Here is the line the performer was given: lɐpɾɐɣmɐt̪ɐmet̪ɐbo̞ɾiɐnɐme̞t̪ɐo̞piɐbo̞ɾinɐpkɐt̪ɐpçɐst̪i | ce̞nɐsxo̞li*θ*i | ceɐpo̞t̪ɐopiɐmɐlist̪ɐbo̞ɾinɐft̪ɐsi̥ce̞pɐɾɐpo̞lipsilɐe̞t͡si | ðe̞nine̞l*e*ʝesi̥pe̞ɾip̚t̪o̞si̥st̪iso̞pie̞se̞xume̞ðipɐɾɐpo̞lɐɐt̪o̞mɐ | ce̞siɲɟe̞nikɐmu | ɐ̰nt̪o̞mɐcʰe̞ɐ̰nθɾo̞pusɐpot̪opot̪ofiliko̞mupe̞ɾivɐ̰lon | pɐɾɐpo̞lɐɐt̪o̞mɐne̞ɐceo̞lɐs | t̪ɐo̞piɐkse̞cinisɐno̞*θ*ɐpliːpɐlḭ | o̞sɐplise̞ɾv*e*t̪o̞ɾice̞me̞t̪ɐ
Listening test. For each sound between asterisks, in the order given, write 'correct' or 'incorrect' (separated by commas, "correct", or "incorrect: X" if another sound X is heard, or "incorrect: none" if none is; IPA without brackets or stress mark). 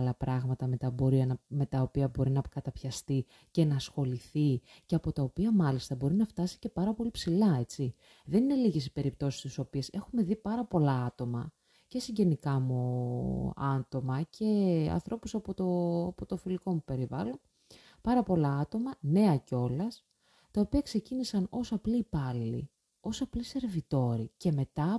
correct, incorrect: i, incorrect: s, incorrect: i